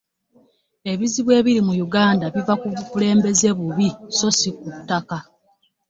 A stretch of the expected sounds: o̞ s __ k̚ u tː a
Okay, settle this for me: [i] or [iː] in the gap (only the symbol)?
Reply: i